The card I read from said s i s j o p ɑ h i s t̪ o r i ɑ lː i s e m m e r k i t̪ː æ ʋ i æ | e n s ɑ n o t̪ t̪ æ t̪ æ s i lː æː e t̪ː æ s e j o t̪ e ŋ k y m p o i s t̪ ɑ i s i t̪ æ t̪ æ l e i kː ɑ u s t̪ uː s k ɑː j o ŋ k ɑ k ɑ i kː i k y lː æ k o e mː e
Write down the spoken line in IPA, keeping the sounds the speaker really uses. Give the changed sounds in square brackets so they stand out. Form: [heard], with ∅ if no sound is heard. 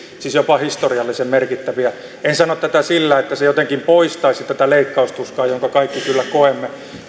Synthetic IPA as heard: s i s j o p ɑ h i s t̪ o r i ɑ lː i s e m m e r k i t̪ː æ ʋ i æ | e n s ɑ n o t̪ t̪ æ t̪ æ s i lː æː e t̪ː æ s e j o t̪ e ŋ k [i] m p o i s t̪ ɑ i s i t̪ æ t̪ æ l e i kː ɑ u s t̪ [u] s k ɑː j o ŋ k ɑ k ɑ i kː i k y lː æ k o e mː e